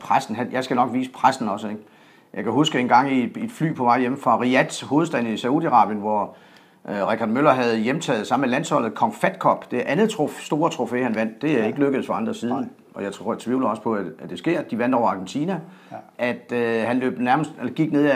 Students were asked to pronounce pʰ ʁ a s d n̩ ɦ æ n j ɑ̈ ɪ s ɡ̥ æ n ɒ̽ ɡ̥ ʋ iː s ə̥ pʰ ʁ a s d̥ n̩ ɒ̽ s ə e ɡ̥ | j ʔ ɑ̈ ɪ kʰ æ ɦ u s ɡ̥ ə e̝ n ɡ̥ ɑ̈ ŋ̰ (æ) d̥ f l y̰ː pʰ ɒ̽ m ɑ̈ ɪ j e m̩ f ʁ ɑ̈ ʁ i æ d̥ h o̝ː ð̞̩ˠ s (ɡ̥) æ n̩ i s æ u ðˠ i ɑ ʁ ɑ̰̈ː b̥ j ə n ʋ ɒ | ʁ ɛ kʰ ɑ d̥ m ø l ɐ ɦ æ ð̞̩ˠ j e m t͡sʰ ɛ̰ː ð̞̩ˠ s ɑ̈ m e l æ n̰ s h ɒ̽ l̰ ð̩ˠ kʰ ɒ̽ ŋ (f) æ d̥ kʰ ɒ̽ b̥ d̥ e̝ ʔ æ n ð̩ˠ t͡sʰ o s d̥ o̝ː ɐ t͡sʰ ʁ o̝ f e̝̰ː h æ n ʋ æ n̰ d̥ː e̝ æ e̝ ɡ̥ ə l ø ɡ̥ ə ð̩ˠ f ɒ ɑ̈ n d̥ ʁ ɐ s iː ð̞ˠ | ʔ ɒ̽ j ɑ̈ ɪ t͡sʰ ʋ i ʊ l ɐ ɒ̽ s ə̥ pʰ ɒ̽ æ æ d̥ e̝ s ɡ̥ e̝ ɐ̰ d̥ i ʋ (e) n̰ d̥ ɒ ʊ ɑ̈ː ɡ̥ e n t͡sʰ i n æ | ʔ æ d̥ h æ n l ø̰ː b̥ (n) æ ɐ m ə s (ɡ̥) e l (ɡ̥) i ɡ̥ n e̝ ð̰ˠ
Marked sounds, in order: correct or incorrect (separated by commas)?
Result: incorrect, incorrect, correct, incorrect, correct, incorrect, correct